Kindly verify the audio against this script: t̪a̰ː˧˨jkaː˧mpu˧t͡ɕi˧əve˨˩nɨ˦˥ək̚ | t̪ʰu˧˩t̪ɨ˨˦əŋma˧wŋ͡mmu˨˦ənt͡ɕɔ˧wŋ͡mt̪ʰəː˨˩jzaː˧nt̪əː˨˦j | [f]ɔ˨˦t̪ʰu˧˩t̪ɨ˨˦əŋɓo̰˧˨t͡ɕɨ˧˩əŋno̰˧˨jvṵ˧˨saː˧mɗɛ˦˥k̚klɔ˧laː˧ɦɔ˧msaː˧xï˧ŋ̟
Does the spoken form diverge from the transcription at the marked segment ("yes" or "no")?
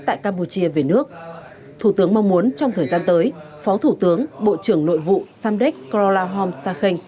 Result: no